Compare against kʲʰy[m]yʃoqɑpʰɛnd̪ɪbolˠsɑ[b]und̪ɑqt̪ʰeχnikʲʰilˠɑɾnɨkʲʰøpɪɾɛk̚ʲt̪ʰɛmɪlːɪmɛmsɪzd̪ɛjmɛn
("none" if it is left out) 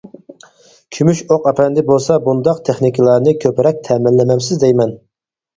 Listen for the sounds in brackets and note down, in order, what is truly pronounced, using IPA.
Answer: m, b

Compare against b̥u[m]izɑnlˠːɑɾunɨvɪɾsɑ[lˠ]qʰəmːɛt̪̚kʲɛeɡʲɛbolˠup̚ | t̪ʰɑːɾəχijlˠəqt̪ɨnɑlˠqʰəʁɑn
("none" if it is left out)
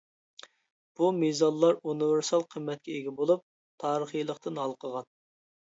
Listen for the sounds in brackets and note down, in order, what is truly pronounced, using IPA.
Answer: m, lˠ

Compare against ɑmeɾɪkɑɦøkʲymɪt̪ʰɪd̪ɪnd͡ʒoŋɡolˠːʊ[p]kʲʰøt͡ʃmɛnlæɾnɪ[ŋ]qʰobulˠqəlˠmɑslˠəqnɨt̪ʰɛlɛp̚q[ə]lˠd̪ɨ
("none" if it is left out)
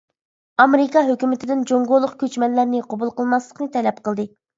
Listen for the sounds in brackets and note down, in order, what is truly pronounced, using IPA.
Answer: q, none, ə

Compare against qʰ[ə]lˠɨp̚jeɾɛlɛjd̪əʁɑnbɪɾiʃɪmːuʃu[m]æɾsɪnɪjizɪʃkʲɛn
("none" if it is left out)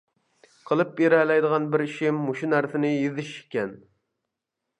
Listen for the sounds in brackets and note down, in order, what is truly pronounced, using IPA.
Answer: ə, n

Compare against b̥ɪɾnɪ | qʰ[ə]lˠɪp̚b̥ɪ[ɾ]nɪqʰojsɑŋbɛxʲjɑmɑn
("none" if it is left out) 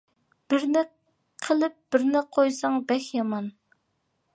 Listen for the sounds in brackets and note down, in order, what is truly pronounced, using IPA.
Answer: ə, ɾ

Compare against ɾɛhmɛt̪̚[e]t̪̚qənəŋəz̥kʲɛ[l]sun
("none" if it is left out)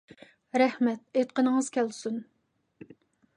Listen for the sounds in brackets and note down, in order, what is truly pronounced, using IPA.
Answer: e, l

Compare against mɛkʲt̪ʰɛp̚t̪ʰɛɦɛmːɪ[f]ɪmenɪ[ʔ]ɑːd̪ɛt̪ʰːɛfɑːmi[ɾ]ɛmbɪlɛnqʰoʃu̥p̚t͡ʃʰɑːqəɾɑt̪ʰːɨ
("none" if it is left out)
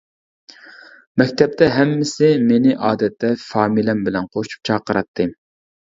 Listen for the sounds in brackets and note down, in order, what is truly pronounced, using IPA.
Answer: s, ʔ, l

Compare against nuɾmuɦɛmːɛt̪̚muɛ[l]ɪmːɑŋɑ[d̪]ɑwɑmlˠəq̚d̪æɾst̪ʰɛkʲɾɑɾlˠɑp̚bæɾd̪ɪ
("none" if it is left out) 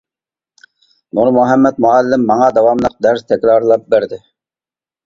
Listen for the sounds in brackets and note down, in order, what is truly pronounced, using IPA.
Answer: lː, d̪

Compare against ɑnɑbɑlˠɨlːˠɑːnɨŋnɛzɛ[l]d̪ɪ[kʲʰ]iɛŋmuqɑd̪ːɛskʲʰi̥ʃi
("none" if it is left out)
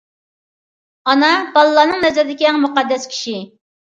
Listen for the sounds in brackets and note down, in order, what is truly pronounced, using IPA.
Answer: ɾ, kʲ

